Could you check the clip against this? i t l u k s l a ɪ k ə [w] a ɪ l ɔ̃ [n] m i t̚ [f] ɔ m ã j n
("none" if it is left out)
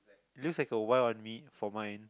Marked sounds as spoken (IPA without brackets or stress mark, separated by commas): w, n, f